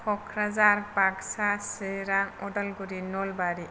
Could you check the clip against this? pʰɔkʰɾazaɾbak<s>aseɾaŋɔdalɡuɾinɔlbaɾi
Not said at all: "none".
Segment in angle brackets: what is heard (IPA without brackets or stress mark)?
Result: s